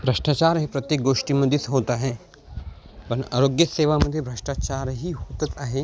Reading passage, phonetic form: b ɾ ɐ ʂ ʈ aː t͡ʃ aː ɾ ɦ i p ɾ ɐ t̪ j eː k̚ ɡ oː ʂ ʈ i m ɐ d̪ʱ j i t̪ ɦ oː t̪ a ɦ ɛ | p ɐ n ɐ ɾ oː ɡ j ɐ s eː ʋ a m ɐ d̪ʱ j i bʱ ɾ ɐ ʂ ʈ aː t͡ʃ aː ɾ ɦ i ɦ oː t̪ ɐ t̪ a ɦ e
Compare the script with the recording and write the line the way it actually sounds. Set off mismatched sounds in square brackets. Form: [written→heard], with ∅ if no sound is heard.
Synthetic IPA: b ɾ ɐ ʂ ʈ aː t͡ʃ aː ɾ ɦ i p ɾ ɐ t̪ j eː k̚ ɡ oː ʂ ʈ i m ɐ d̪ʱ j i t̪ ɦ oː t̪ a ɦ ɛ | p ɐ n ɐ ɾ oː ɡ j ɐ s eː ʋ a m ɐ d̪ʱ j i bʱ ɾ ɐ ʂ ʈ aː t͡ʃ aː ɾ ɦ i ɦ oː t̪ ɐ t̪ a ɦ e